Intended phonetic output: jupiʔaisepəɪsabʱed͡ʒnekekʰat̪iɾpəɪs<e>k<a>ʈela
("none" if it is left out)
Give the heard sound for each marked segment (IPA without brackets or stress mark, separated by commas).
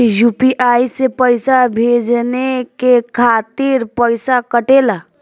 a, ə